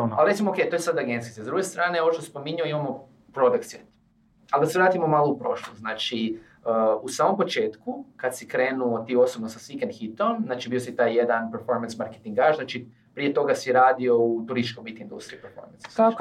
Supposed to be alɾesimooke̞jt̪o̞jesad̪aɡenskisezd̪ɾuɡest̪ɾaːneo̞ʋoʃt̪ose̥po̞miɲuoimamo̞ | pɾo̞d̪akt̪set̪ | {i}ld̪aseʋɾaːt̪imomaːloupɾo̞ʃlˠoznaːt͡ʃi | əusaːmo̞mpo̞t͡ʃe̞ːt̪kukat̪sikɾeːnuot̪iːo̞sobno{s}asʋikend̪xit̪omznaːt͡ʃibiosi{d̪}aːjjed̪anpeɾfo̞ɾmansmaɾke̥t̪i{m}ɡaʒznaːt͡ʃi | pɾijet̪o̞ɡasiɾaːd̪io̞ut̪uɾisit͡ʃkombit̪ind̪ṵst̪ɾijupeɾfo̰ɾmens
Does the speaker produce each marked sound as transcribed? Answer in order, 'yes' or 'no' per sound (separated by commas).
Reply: no, yes, no, no